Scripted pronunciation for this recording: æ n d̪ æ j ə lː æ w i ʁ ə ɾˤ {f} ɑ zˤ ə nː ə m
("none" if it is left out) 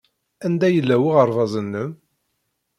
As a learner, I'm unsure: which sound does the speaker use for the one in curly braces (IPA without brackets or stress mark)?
v